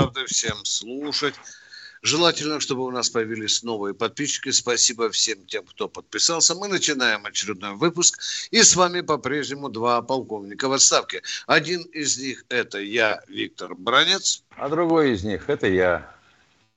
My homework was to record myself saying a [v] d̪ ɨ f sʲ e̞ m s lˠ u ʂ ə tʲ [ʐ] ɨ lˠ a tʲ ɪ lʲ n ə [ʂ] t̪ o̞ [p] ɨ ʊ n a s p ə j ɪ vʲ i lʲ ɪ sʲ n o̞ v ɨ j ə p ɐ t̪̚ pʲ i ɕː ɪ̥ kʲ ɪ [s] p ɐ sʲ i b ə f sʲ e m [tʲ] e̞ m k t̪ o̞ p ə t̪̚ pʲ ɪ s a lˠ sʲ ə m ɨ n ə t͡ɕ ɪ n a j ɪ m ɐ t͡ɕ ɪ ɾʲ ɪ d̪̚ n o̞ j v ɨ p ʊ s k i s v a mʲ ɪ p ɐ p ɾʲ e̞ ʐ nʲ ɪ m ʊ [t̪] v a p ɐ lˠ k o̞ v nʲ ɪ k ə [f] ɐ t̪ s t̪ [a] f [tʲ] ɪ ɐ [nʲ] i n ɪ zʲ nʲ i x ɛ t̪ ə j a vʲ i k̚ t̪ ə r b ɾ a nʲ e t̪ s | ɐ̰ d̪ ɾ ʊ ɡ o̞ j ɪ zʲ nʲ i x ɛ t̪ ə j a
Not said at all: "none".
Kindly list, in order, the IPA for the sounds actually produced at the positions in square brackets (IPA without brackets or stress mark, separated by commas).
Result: v, ʐ, ʂ, b, s, tʲ, d̪, v, a, kʲ, dʲ